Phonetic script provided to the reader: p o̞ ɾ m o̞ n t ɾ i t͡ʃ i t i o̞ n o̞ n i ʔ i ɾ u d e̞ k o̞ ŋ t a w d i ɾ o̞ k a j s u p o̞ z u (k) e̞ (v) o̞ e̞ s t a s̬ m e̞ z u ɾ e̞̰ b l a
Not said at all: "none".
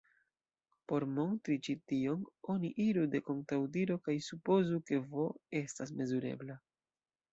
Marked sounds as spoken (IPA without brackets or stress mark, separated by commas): k, v